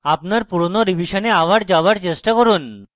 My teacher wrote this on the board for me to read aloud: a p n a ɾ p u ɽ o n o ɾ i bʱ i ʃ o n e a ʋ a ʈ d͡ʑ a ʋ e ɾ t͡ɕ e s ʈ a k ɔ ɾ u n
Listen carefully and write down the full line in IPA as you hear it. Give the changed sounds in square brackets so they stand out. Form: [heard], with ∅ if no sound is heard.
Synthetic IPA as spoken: a p n a ɾ p u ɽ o n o ɾ i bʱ i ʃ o n e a ʋ a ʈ d͡ʑ a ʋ [a] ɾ t͡ɕ e s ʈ a k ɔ ɾ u n